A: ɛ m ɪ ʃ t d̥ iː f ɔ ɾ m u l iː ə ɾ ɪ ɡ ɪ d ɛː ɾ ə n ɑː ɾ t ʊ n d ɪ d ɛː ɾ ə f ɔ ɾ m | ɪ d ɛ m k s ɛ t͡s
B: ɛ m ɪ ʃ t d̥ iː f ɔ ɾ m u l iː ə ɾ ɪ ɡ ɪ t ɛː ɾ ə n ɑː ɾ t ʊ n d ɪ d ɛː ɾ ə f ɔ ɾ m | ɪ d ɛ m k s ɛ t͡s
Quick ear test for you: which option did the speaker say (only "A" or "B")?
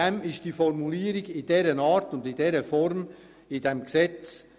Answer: A